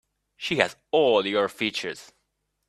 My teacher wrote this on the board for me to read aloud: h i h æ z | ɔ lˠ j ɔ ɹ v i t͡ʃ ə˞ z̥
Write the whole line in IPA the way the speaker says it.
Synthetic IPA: ʃ i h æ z | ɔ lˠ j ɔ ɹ f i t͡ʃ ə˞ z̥